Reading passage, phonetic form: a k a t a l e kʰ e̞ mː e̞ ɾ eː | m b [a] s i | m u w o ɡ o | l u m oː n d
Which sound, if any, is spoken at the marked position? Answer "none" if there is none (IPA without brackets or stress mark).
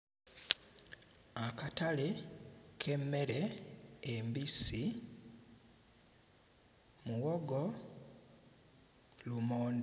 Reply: i